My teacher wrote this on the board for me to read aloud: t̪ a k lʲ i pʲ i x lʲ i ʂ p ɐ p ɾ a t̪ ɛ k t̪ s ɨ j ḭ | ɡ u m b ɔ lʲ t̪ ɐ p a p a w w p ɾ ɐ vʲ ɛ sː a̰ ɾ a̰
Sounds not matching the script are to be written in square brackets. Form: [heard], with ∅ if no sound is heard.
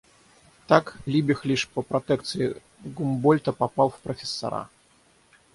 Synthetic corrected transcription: t̪ a k lʲ i [bʲ] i x lʲ i ʂ p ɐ p ɾ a t̪ ɛ k t̪ s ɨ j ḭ | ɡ u m b ɔ lʲ t̪ ɐ p a p a w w p ɾ ɐ [fʲ] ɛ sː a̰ ɾ a̰